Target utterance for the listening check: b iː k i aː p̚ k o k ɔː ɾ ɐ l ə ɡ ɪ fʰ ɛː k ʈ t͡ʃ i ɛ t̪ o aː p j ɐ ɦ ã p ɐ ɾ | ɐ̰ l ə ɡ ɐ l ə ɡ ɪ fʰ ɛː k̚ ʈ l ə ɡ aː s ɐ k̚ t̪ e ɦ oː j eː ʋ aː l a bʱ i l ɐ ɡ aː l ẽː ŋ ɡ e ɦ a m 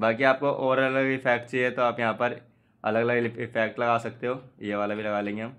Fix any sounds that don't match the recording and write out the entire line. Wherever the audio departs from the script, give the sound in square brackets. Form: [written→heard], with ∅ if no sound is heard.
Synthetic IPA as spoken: b [iː→aː] k i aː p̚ k o [k→ʔ] ɔː ɾ ɐ l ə ɡ ɪ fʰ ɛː k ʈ t͡ʃ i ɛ t̪ o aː p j ɐ ɦ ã p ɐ ɾ | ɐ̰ l ə ɡ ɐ l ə ɡ ɪ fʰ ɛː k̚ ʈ l [ə→ɐ] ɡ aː s ɐ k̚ t̪ e ɦ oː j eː ʋ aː l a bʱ i l ɐ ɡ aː l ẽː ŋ ɡ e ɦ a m